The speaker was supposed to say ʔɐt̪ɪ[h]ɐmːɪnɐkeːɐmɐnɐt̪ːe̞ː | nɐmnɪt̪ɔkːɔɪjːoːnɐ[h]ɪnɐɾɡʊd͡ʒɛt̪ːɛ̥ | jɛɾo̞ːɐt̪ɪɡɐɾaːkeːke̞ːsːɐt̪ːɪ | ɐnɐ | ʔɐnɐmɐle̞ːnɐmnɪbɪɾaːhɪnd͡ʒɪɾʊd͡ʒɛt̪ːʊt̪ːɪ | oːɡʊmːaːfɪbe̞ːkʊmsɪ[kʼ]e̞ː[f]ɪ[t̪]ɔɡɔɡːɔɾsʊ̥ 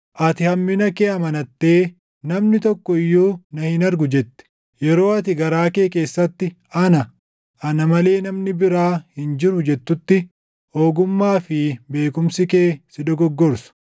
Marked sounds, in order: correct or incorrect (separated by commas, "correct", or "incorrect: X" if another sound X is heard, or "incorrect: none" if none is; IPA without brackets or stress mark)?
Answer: correct, correct, incorrect: k, incorrect: s, incorrect: d̪